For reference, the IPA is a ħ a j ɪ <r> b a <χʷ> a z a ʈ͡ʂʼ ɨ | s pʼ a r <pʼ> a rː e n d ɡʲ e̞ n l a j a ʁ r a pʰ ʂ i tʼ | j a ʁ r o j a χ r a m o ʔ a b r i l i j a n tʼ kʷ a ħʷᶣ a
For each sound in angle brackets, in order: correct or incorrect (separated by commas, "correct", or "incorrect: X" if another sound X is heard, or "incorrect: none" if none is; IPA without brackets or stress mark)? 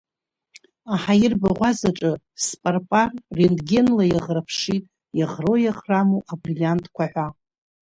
correct, incorrect: ʁʷ, correct